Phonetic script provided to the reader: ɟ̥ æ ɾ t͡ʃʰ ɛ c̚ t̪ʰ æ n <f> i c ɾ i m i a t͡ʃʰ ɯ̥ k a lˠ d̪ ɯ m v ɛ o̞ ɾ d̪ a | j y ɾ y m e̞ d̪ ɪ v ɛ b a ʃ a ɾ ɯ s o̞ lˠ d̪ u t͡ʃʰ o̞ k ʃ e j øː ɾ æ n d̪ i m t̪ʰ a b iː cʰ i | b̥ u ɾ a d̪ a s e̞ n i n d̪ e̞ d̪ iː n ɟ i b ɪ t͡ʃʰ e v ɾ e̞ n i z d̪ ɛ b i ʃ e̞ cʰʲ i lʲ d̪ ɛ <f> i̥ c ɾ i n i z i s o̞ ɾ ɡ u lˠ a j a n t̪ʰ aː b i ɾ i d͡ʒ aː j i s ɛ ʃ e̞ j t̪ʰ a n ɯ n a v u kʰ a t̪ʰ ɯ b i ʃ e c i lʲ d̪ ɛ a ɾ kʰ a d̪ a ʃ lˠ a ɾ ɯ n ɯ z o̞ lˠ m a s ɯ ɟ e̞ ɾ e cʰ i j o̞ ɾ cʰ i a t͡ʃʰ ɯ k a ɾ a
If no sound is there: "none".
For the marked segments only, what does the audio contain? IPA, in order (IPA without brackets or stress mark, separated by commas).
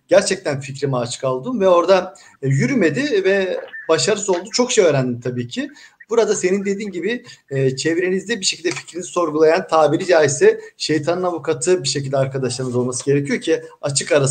f, f